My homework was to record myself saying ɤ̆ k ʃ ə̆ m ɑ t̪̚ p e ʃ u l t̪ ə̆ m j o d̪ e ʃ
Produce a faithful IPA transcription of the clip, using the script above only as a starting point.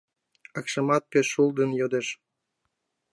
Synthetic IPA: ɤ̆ k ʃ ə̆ m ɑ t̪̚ p e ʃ u l d̪ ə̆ n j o d̪ e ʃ